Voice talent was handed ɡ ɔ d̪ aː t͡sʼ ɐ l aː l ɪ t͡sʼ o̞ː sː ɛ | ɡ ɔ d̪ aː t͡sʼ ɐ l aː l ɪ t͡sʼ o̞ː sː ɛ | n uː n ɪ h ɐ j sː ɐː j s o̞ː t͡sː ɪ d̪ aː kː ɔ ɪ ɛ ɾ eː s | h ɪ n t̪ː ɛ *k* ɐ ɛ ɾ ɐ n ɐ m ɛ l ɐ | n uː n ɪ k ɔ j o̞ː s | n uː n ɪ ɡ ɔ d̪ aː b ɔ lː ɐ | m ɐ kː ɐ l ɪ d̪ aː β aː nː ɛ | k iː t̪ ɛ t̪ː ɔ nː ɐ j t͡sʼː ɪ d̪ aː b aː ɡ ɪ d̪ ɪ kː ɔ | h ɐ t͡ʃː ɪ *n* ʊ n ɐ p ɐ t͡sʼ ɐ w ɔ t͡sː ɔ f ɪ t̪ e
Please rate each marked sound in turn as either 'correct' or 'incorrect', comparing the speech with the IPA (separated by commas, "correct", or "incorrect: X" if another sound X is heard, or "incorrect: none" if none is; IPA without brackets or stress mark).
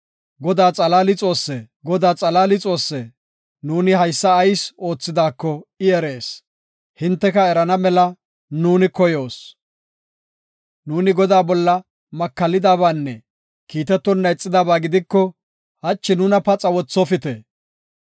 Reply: correct, correct